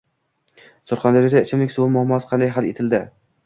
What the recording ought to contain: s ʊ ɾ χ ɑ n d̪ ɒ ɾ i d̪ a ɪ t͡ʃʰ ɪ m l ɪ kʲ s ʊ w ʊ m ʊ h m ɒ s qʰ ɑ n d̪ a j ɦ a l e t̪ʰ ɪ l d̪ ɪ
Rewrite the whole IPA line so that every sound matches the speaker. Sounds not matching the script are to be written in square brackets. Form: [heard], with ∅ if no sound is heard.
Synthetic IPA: s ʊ ɾ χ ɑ n d̪ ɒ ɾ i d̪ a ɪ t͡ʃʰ ɪ m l ɪ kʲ s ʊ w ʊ m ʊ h m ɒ s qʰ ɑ n d̪ a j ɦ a l e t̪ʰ ɪ l d̪ ɪ